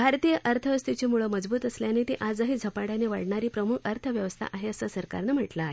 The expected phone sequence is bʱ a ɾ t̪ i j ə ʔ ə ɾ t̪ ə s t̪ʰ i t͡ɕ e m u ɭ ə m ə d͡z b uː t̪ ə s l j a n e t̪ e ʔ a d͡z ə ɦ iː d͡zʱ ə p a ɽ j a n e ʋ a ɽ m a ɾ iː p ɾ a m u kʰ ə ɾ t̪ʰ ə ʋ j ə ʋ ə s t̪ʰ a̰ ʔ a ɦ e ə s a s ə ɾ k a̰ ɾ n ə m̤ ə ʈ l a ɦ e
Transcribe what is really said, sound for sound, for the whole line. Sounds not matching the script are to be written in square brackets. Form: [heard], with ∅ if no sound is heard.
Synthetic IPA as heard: bʱ a ɾ t̪ i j ə ʔ ə ɾ [t̪ʰ] ə s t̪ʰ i t͡ɕ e m u ɭ ə m ə d͡z b uː t̪ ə s l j a n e t̪ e ʔ a d͡z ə ɦ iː d͡zʱ ə p a ɽ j a n e ʋ a ɽ [ɳ] a ɾ iː p ɾ [ə] m u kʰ ə ɾ t̪ʰ ə ʋ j ə ʋ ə s t̪ʰ a̰ ʔ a ɦ e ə s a s ə ɾ k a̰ ɾ n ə m̤ ə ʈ l a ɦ e